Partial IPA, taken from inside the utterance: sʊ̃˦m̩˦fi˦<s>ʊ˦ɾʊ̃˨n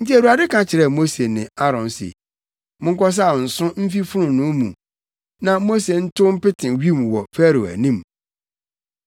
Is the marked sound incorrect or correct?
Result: incorrect